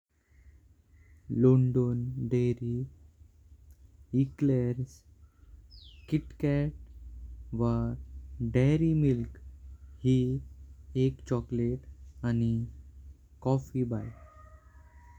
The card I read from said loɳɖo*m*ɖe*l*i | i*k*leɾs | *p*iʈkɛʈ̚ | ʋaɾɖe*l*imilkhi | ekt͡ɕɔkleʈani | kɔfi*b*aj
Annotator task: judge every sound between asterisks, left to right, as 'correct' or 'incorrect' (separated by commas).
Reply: incorrect, incorrect, correct, incorrect, incorrect, correct